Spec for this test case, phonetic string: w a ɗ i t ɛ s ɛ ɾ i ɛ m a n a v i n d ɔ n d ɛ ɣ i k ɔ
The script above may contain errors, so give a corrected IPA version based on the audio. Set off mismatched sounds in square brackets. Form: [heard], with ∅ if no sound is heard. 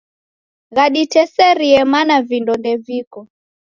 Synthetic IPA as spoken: [ɣ] a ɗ i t ɛ s ɛ ɾ i ɛ m a n a v i n d ɔ n d ɛ [v] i k ɔ